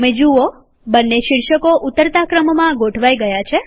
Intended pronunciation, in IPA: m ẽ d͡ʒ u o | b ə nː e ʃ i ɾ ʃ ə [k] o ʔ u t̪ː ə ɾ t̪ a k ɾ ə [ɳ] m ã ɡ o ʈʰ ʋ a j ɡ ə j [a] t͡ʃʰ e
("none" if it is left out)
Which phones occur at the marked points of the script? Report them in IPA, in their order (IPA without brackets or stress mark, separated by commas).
k, m, a